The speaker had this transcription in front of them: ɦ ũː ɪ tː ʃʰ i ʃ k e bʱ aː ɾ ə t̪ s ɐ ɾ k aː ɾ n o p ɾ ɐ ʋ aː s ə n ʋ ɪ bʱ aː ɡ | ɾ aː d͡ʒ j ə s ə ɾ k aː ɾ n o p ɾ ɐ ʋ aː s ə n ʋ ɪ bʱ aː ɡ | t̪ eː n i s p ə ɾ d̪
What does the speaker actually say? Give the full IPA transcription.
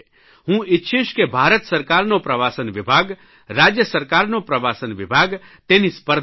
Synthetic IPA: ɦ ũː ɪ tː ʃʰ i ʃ k e bʱ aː ɾ ə t̪ s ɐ ɾ k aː ɾ n o p ɾ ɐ ʋ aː s ə n ʋ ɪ bʱ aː ɡ | ɾ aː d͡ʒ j ə s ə ɾ k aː ɾ n o p ɾ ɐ ʋ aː s ə n ʋ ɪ bʱ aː ɡ | t̪ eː n i s p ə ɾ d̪